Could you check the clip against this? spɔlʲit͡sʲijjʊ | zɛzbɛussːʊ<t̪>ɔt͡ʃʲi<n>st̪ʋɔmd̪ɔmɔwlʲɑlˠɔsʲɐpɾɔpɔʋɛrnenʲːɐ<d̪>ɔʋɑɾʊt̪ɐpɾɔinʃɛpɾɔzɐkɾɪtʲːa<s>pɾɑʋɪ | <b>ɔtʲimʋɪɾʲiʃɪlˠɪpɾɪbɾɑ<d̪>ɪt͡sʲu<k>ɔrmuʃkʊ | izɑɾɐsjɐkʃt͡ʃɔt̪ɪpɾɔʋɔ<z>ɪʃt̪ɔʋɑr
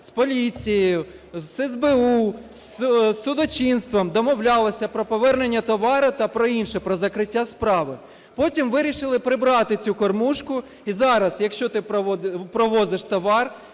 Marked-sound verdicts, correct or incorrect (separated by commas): incorrect, correct, incorrect, correct, incorrect, incorrect, correct, correct